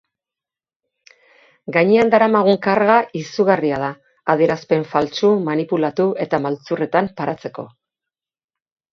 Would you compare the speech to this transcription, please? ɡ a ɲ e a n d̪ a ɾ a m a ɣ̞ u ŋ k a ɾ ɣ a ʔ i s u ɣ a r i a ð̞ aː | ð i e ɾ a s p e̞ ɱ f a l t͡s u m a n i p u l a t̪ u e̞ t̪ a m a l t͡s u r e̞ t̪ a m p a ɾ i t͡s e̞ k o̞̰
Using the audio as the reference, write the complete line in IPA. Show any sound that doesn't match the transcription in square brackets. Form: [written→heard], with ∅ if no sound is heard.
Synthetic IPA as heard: ɡ a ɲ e a n d̪ a ɾ a m a ɣ̞ u ŋ k a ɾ ɣ a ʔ i s u ɣ a r i a ð̞ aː | ð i e ɾ a s p e̞ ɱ f a l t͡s u m a n i p u l a t̪ u e̞ t̪ a m a l t͡s u r e̞ t̪ a m p a ɾ [i→a] t͡s e̞ k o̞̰